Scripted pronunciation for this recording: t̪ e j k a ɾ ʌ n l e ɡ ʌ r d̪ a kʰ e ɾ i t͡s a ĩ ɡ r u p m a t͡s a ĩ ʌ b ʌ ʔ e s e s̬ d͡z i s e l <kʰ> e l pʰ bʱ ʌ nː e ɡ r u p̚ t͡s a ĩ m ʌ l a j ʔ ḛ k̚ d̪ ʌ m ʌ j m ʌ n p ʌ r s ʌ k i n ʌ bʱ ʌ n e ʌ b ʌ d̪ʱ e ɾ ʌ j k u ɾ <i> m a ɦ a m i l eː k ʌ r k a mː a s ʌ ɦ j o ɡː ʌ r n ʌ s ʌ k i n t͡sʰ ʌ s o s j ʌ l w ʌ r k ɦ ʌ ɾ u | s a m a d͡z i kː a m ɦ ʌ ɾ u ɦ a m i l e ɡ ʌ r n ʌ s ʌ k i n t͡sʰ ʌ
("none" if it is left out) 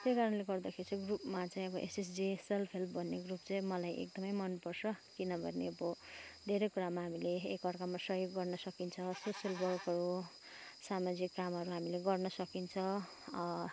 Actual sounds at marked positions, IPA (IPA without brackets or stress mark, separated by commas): pʰ, a